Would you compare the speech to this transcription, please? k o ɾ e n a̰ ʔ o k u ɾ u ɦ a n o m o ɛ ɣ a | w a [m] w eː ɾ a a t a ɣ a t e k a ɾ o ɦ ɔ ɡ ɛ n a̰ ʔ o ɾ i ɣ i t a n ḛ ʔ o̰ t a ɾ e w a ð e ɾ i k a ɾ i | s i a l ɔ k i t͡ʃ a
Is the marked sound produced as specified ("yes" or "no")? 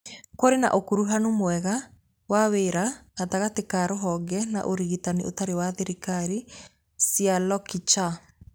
no